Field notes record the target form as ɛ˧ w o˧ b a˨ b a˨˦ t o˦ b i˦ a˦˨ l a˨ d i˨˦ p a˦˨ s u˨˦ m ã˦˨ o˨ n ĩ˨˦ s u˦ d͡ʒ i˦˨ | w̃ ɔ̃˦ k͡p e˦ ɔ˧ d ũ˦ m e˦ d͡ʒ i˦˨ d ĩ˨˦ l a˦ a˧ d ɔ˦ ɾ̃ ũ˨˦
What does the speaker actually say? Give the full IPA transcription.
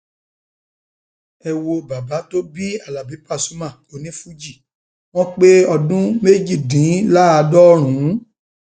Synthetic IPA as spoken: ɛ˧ w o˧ b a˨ b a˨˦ t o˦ b i˦ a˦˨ l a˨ b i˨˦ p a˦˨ s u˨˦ m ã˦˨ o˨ n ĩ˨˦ f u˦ d͡ʒ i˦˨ | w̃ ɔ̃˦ k͡p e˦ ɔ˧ d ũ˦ m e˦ d͡ʒ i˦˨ d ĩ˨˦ l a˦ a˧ d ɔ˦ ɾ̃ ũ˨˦